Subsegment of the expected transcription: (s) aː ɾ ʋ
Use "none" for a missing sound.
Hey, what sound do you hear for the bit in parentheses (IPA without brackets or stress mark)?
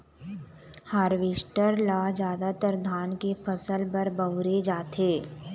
h